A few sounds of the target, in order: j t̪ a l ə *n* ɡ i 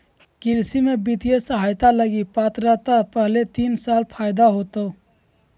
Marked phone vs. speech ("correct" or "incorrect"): incorrect